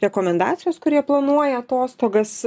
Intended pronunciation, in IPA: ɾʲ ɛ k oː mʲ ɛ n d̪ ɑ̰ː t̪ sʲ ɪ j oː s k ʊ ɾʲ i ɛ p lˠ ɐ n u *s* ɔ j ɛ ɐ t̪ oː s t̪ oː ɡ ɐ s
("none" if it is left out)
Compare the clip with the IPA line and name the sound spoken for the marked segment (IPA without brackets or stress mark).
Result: none